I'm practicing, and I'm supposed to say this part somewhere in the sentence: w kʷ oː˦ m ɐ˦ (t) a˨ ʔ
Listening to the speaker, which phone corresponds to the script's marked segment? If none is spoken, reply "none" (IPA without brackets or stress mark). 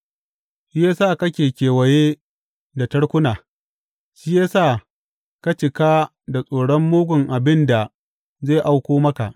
k